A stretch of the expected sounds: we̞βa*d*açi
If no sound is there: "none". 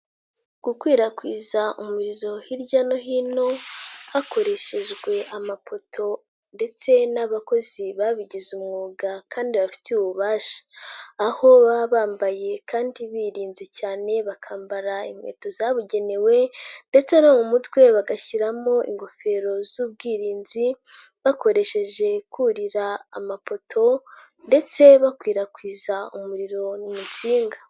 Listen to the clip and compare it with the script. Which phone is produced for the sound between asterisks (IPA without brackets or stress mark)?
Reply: ɡ